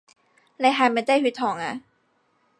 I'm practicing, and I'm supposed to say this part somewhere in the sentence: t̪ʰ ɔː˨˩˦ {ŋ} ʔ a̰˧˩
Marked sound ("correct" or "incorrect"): correct